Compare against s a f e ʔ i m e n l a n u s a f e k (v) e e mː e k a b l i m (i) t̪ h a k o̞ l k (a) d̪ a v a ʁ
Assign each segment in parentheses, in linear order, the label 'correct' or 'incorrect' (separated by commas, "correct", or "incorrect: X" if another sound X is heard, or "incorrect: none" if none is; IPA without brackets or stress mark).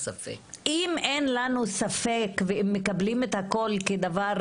correct, incorrect: e, incorrect: e